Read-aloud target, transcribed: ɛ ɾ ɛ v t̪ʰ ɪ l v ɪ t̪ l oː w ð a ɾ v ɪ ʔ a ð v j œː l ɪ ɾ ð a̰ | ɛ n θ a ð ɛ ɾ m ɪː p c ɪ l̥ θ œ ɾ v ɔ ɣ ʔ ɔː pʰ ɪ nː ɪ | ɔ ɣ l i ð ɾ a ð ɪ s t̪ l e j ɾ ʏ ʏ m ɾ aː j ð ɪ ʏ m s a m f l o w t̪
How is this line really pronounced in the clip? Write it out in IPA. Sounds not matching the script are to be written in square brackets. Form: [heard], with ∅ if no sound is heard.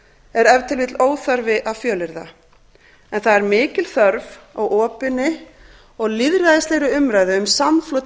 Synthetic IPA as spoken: ɛ ɾ ɛ v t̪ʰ ɪ l v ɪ t̪ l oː w [θ] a ɾ v ɪ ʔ a ð [f] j œː l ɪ ɾ ð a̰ | ɛ n θ a ð ɛ ɾ m ɪː [∅] c ɪ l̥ θ œ ɾ v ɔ ɣ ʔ ɔː [p] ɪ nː ɪ | ɔ ɣ l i ð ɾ a ð ɪ s t̪ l e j ɾ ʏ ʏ m ɾ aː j ð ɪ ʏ m s a m f l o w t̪